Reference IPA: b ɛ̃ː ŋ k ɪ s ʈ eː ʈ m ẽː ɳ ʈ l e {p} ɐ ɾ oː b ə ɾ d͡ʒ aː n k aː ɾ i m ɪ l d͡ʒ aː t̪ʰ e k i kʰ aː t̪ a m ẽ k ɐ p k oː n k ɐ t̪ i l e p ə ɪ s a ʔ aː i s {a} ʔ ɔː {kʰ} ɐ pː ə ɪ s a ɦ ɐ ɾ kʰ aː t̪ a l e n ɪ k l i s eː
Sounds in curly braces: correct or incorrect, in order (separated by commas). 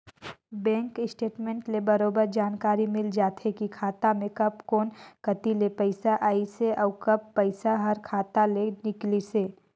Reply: incorrect, incorrect, incorrect